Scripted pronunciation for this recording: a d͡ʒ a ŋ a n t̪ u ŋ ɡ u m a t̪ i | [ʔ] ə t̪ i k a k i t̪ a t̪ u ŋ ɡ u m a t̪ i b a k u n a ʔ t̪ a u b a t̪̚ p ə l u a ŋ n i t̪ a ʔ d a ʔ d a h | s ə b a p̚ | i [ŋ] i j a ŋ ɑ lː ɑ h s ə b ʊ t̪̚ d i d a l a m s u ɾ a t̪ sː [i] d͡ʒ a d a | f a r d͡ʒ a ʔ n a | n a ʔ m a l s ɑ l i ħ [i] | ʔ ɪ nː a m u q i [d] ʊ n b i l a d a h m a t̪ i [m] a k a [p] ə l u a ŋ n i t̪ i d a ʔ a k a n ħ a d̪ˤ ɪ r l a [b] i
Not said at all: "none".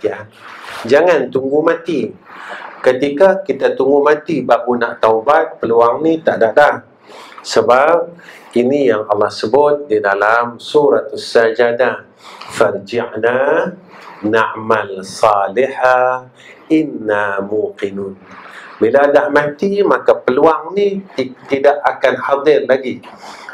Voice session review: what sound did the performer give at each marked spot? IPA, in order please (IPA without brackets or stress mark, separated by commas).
k, n, a, a, n, m, p, ɡ